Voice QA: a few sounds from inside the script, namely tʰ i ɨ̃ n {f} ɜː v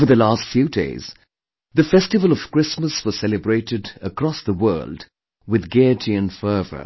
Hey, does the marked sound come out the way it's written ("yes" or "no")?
yes